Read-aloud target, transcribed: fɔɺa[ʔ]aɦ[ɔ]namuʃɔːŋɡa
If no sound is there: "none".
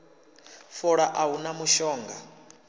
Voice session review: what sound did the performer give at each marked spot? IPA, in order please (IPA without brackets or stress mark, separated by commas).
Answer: ʔ, u